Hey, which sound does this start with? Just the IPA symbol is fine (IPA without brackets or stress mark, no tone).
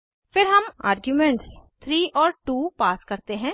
f